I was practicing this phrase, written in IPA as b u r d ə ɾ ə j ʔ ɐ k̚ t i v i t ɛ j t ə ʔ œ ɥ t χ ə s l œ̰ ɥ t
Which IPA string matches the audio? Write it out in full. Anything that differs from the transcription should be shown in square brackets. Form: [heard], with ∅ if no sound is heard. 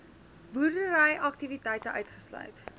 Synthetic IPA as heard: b u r d ə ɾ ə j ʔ ɐ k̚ t i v i t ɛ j t ə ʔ œ ɥ t χ ə s l œ̰ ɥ t